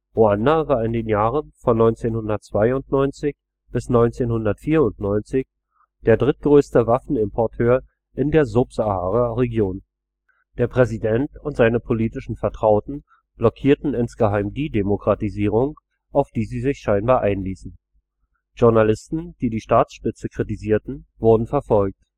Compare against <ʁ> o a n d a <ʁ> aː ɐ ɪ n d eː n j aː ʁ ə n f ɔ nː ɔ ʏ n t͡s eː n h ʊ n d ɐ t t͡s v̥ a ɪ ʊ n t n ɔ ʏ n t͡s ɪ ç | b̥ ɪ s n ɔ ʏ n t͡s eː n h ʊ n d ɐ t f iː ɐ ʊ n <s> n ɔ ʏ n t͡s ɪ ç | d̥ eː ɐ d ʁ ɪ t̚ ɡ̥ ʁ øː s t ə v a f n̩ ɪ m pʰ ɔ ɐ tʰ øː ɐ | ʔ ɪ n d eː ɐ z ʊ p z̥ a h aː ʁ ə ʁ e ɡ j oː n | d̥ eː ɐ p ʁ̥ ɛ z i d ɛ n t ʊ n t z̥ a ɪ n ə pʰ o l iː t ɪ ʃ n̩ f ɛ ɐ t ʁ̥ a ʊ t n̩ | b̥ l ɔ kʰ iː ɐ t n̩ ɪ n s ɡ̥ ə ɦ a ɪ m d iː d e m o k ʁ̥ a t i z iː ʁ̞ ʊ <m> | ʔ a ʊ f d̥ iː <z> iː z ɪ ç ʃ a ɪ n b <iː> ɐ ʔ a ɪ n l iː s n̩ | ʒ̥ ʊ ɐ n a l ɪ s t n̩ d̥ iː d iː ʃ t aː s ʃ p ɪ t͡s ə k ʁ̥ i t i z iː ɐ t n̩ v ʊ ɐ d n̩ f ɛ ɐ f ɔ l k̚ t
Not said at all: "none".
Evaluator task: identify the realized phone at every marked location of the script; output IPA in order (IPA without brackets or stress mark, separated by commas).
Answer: ʁ, v, t, ŋ, z, aː